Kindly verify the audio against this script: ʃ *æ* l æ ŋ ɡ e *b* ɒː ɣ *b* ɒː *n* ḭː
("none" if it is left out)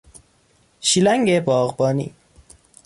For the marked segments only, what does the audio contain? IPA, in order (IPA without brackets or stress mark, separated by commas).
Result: i, b, b, n